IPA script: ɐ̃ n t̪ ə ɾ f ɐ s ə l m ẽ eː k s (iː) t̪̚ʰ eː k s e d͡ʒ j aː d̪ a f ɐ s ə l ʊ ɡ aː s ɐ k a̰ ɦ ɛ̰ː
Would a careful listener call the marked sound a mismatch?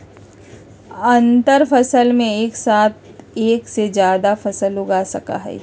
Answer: yes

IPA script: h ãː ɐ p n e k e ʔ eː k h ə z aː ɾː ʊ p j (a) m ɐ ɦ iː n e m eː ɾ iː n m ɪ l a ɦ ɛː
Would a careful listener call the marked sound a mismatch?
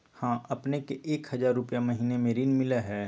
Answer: no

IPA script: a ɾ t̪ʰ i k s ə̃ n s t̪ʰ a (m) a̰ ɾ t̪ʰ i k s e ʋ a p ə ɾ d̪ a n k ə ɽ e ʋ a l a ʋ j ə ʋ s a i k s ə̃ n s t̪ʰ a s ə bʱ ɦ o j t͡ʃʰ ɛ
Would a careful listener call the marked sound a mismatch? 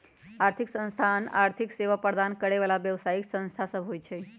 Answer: yes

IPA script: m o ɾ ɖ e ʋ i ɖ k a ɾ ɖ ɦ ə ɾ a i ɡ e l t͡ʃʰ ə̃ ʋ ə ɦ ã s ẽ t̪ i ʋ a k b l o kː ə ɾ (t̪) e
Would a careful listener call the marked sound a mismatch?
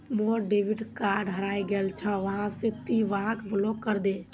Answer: yes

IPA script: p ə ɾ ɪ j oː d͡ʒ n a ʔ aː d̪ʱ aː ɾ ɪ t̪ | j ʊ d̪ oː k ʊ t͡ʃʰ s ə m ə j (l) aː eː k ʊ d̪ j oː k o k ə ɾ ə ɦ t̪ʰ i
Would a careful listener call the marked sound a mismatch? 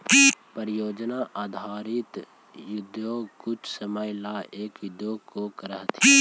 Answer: no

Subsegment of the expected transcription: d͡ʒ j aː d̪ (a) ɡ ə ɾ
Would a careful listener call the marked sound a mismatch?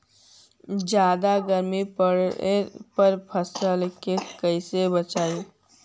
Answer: no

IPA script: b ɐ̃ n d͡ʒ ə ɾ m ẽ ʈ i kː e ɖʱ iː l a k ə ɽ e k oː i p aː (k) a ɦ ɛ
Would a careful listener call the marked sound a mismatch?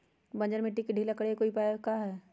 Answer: no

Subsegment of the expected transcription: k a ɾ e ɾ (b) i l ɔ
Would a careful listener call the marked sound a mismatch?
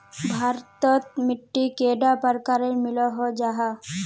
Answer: yes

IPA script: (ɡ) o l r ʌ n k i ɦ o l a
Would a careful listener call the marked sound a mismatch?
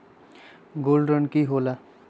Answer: no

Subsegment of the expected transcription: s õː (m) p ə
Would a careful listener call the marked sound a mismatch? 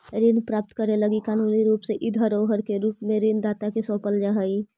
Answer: yes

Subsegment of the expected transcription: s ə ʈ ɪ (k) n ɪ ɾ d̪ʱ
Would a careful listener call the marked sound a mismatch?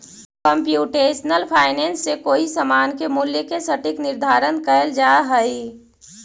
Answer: no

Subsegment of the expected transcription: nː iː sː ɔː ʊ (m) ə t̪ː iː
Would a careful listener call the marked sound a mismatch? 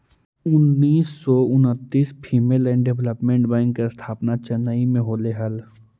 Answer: yes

